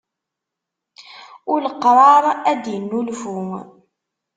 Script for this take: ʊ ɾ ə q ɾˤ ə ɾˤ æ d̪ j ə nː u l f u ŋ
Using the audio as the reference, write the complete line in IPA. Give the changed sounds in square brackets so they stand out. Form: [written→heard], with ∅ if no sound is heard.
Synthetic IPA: ʊ [ɾ→l] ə q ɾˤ [ə→ɑ] ɾˤ æ d̪ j ə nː u l f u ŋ